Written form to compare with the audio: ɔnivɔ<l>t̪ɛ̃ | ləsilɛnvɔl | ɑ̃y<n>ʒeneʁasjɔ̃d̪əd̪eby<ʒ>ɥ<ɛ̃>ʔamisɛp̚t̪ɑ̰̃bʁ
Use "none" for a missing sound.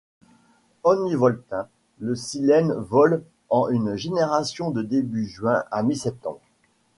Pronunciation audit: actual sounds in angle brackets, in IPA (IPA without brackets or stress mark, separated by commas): l, n, ʒ, ɛ̃